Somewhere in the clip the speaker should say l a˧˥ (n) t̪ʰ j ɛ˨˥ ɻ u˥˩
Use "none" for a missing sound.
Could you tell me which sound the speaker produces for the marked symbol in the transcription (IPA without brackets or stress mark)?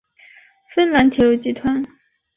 n